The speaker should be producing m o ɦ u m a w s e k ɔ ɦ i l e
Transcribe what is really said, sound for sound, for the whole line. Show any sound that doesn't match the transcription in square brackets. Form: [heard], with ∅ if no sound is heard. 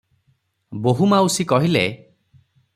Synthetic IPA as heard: [b] o ɦ u m a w s [i] k ɔ ɦ i l e